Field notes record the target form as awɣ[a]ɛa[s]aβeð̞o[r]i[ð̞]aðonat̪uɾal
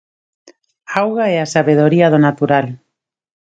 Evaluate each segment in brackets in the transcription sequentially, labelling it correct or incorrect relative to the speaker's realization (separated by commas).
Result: correct, correct, incorrect, incorrect